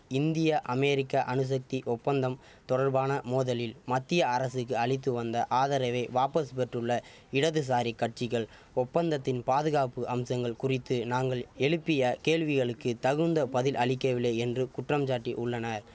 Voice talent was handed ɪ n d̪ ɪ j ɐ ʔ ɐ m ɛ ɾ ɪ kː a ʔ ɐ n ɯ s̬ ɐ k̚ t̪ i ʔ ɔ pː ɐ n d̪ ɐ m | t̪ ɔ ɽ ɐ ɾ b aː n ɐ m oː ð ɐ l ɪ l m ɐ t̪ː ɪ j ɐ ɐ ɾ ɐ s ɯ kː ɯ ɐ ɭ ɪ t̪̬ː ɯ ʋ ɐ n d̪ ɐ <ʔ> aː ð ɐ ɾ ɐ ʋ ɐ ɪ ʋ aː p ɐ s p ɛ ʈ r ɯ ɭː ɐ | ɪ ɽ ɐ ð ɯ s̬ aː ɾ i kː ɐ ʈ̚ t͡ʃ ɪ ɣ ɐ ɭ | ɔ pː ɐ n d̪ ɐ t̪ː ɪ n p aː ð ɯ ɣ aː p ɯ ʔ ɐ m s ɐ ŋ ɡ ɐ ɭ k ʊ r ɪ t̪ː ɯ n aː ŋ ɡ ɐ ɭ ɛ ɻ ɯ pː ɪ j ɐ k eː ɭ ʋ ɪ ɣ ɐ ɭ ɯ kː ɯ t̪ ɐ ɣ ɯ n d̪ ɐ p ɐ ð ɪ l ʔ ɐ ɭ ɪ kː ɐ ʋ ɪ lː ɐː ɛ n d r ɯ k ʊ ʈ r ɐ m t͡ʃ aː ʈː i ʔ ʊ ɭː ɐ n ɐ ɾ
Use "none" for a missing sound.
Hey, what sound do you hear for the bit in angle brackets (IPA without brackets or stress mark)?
ʔ